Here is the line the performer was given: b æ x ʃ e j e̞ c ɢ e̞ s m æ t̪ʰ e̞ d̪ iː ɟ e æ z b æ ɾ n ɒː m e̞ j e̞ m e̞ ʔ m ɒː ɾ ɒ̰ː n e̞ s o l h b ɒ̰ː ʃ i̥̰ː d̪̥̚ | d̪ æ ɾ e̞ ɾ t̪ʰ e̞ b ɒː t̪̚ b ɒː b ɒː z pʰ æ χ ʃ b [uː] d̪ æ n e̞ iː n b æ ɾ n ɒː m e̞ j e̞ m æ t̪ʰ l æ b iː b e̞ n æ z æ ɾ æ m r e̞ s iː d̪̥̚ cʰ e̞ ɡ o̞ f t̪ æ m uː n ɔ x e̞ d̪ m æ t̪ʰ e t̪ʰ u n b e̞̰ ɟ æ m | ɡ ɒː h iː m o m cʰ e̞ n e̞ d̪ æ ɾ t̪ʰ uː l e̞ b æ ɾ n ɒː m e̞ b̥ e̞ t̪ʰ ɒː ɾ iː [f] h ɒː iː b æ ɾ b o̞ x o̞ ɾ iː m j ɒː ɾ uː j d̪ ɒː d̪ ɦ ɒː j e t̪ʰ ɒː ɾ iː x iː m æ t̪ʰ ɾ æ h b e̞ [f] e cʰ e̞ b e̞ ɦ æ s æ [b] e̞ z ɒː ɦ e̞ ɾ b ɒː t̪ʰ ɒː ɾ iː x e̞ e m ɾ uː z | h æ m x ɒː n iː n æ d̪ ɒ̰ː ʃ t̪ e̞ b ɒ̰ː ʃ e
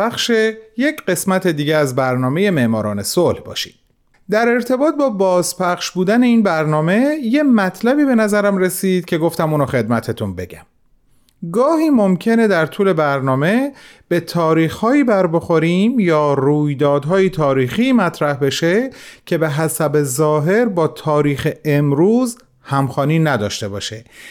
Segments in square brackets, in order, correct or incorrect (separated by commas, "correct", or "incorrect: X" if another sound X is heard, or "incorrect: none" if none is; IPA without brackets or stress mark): correct, incorrect: x, incorrect: ʃ, correct